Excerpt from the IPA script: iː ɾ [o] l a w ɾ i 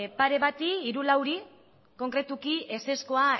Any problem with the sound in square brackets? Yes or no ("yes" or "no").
yes